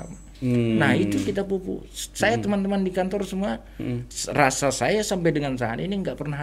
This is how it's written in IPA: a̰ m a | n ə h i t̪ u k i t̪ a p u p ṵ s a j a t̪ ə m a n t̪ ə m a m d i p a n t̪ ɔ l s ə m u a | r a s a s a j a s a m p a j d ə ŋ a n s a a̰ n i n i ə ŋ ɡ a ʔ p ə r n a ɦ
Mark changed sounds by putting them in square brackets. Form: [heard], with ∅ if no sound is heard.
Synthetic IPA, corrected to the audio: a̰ m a | n [a] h i t̪ u k i t̪ a p u p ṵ s a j a t̪ ə m a n t̪ ə m a [n] d i [k] a n t̪ ɔ [r] s ə m u a | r a s a s a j a s a m p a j d ə ŋ a n s a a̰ n i n i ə ŋ ɡ a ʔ p ə r n a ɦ